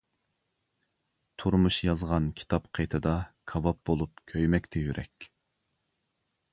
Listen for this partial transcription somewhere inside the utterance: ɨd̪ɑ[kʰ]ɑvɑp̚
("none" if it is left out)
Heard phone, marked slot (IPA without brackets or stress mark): kʰ